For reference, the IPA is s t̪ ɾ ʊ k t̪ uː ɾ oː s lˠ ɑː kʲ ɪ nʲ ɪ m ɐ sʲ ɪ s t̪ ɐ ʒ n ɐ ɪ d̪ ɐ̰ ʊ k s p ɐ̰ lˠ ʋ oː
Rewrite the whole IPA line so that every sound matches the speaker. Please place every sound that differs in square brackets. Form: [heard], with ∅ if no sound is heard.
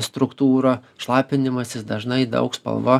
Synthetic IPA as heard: s t̪ ɾ ʊ k t̪ uː ɾ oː [ʃ] lˠ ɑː [pʲ] ɪ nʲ ɪ m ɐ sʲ ɪ s [d̪] ɐ ʒ n ɐ ɪ d̪ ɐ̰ ʊ k s p ɐ̰ lˠ ʋ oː